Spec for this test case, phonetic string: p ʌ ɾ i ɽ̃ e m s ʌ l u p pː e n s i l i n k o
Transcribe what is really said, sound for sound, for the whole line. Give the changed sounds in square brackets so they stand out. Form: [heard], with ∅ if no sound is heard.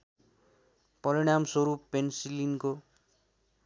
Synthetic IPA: p ʌ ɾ i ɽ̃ [a] m s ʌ [ɾ] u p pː e n s i l i n k o